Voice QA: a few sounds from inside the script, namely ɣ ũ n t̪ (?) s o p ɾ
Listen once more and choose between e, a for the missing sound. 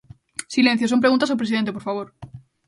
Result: a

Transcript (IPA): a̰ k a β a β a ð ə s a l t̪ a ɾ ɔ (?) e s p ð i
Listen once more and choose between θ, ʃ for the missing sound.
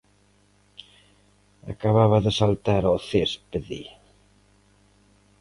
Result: θ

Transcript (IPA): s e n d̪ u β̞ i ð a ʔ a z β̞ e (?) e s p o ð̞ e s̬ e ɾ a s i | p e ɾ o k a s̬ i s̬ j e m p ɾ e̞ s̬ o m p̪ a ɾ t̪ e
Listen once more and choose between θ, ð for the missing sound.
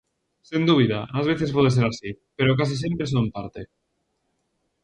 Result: θ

